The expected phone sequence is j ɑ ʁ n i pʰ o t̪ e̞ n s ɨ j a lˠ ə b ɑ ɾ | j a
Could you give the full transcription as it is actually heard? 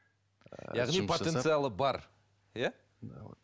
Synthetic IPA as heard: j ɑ ʁ n i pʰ o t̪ e̞ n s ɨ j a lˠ ə b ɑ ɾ | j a